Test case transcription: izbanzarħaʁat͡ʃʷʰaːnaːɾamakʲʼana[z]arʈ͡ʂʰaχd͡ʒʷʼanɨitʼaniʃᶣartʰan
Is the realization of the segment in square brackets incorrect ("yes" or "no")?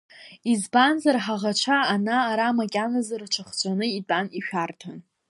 no